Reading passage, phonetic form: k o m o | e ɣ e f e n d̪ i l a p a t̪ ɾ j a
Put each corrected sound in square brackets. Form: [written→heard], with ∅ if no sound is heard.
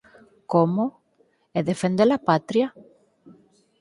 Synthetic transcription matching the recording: k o m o | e [ɣ→ð] e f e n d̪ [i→e] l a p a t̪ ɾ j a